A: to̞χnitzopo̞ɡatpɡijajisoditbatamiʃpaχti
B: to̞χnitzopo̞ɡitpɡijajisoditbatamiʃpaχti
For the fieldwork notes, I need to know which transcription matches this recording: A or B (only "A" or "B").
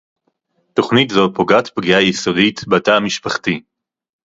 A